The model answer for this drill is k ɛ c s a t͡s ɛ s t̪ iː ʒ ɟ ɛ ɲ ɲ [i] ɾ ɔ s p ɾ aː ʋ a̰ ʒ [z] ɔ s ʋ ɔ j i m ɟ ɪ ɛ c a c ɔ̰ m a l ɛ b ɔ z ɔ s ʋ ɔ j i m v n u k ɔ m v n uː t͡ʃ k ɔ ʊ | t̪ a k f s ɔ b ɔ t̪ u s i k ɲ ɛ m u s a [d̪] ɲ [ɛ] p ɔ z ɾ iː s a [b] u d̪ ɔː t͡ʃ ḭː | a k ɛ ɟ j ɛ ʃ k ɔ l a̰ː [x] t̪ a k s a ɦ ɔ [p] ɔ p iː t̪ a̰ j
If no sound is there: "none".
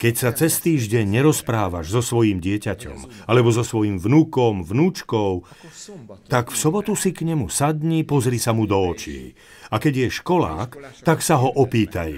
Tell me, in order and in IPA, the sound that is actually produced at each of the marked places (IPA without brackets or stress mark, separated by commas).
ɛ, z, d̪, i, m, k, ʔ